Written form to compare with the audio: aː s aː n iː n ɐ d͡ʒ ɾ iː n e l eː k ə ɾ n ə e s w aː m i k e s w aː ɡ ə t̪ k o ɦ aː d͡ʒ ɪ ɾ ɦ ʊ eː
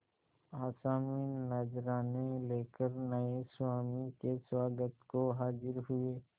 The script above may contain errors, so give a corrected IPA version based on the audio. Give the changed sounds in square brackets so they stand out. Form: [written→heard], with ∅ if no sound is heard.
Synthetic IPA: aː s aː [n→m] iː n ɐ d͡ʒ ɾ [iː→aː] n e l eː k ə ɾ n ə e s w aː m i k e s w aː ɡ ə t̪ k o ɦ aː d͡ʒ ɪ ɾ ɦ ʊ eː